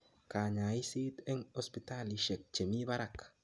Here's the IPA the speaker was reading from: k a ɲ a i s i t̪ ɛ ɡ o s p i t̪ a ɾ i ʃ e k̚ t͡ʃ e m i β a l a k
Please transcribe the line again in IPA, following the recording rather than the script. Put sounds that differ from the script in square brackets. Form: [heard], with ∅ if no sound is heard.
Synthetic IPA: k a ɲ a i s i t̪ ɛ [ŋ] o s p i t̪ a [l] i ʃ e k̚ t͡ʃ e m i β a [ɾ] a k